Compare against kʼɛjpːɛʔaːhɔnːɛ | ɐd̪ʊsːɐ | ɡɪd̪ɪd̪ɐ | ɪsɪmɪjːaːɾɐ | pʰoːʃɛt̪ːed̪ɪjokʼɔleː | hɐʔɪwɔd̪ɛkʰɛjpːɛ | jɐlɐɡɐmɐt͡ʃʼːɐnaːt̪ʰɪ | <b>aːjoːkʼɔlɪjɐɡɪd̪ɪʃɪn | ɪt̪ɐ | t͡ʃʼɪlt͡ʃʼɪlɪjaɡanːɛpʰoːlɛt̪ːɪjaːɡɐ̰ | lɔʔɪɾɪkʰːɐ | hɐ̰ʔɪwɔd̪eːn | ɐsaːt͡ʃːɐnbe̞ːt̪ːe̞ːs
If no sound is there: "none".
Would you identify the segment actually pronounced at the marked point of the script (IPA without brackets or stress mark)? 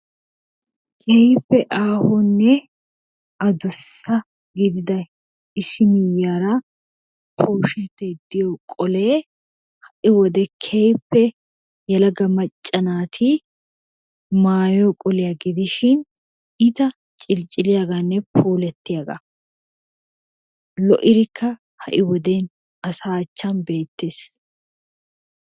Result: m